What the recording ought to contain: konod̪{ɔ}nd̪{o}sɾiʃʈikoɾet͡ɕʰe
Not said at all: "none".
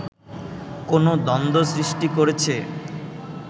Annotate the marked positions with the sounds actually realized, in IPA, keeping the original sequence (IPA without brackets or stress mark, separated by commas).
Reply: ɔ, o